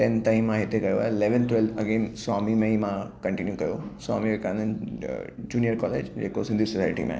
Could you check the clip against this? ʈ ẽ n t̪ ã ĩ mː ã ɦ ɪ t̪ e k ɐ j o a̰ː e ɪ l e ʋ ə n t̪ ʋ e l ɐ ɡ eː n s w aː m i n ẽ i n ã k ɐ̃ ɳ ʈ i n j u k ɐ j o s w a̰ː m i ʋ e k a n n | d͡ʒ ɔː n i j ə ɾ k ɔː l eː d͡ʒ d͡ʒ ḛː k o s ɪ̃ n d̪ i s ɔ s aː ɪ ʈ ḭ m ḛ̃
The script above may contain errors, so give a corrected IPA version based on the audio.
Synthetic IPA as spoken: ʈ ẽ n t̪ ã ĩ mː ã ɦ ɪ t̪ e k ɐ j o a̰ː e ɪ l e ʋ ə n t̪ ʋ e l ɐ ɡ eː n s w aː m i m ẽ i m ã k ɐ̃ ɳ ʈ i n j u k ɐ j o s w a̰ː m i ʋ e k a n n | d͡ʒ uː n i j ə ɾ k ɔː l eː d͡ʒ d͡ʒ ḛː k o s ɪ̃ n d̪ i s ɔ s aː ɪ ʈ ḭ m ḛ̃